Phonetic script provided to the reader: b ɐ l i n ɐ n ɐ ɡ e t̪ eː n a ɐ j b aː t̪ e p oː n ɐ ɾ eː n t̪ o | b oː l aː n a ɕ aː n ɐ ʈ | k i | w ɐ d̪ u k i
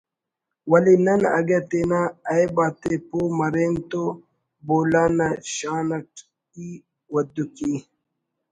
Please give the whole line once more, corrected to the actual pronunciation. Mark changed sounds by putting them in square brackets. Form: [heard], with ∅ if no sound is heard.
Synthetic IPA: [w] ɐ l i n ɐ n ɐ ɡ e t̪ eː n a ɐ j b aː t̪ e p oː [m] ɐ ɾ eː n t̪ o | b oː l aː n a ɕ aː n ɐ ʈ | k i | w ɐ d̪ u k i